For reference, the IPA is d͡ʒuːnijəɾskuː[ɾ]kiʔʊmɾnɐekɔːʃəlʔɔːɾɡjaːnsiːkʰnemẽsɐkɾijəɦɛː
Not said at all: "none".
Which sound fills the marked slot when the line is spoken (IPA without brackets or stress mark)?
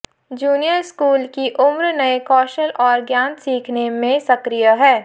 l